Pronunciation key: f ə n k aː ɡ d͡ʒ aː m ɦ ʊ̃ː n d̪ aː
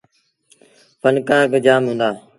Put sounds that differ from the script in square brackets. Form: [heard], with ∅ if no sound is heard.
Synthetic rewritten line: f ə n k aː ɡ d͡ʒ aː m ɦ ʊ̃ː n d̪ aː